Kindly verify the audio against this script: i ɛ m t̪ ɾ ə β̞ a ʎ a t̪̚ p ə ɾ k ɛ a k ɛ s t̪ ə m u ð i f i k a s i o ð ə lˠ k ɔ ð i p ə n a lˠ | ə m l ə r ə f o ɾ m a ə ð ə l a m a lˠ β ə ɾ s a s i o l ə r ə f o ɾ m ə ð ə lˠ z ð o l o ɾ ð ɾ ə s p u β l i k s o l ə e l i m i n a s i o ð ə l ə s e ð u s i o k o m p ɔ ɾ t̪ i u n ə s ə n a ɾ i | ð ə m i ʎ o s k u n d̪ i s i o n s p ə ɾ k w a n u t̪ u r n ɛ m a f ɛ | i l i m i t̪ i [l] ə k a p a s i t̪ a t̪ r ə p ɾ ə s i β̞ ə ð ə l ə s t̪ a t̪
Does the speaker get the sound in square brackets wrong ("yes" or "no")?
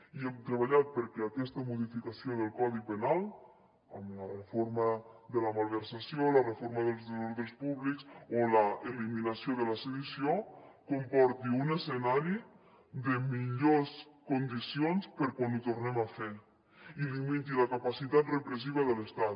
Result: no